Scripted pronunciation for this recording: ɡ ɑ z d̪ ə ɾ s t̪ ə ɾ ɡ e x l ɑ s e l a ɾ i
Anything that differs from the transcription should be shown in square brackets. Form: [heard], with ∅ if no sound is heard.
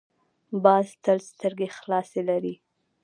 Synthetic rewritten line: [b] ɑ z [t̪] ə [l] s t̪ ə ɾ ɡ e x l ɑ s e l a ɾ i